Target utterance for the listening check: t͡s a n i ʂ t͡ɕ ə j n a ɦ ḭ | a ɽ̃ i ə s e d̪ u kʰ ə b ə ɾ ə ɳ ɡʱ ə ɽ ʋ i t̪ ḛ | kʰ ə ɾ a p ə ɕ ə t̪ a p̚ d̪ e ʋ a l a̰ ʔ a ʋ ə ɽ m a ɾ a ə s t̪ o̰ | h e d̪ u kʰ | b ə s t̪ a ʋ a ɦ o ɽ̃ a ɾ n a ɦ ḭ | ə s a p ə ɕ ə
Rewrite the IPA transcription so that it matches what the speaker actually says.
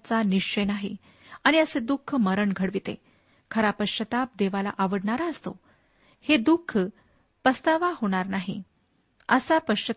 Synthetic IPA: t͡s a n i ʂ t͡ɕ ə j n a ɦ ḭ | a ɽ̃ i ə s e d̪ u kʰ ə m ə ɾ ə ɳ ɡʱ ə ɽ ʋ i t̪ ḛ | kʰ ə ɾ a p ə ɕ ə t̪ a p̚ d̪ e ʋ a l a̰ ʔ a ʋ ə ɽ ɳ a ɾ a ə s t̪ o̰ | h e d̪ u kʰ | p ə s t̪ a ʋ a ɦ o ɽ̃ a ɾ n a ɦ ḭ | ə s a p ə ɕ ə